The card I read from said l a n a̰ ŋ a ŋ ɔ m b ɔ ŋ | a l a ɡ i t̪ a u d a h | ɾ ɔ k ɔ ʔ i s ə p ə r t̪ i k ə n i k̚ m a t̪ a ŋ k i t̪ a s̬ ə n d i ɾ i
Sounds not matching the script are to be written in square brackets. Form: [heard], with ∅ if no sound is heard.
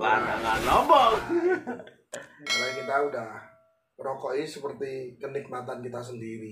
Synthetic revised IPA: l a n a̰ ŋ a [n] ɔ m b ɔ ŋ | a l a [k] i t̪ a u d a h | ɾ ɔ k ɔ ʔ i s ə p ə r t̪ i k ə n i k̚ m a t̪ a [n] k i t̪ a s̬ ə n d i ɾ i